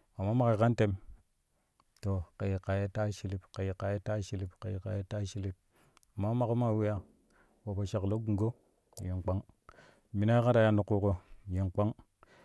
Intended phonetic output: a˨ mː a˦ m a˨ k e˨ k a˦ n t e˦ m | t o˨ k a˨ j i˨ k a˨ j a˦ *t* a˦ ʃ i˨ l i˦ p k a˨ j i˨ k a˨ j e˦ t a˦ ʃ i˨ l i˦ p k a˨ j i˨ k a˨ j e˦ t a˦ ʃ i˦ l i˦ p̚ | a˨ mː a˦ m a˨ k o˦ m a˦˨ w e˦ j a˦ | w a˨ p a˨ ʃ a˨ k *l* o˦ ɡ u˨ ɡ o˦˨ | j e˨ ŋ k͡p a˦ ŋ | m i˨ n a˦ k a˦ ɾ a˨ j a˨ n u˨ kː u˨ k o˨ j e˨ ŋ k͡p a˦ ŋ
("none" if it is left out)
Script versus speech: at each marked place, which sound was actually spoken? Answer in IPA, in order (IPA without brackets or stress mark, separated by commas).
t, l